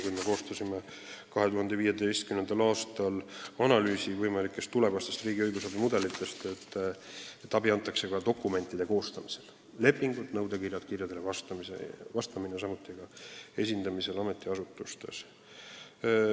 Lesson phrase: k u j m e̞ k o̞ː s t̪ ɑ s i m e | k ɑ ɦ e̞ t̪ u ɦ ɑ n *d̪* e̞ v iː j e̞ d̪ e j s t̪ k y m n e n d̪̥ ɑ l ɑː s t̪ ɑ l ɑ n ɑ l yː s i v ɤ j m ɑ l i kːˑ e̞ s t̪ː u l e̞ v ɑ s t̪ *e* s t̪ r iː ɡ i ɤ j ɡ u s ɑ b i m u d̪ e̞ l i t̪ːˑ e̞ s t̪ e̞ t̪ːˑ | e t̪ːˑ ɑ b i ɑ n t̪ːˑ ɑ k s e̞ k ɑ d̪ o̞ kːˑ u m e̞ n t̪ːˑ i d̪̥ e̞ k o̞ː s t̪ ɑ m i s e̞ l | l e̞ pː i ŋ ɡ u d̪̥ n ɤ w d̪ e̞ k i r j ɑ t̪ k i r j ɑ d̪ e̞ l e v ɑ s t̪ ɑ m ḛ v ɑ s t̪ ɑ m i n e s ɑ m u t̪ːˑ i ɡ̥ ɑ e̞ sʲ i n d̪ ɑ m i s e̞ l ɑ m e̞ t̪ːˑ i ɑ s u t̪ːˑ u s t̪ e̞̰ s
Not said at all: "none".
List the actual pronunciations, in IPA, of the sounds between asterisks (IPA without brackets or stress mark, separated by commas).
d̪, e